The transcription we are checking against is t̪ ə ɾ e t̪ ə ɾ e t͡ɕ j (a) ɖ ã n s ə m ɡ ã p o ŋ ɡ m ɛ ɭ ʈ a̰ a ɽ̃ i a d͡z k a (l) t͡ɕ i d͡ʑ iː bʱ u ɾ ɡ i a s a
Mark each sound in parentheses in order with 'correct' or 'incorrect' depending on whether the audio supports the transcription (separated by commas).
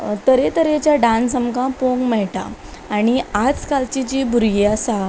correct, correct